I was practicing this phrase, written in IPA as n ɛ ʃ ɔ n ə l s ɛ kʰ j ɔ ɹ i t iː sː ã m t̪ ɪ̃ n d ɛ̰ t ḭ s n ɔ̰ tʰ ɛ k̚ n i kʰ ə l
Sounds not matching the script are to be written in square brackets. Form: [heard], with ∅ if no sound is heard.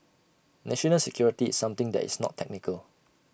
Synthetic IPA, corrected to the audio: n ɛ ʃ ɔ n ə l s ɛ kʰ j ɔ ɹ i t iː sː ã m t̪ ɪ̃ [ŋ] d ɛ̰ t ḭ s n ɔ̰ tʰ ɛ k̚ n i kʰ ə l